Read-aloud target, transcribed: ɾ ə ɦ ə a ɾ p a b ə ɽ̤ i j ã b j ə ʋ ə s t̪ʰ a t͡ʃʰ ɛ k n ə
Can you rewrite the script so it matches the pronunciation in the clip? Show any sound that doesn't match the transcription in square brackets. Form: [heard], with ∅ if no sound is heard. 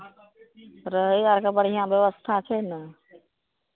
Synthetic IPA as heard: ɾ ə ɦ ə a ɾ [k] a b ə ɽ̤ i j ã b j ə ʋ ə s t̪ʰ a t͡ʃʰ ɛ [∅] n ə